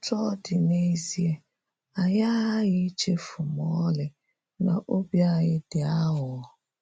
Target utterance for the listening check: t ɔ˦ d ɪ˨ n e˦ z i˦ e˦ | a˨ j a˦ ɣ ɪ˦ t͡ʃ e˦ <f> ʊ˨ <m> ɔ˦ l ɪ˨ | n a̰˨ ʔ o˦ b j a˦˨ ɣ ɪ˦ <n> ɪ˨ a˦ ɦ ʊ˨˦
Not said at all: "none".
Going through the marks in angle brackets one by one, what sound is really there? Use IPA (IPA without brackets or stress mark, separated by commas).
f, m, d